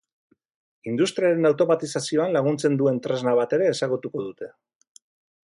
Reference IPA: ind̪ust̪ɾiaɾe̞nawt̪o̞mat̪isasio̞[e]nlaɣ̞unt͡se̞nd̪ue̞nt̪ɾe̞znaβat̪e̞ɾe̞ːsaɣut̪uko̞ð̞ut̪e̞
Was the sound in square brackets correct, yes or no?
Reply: no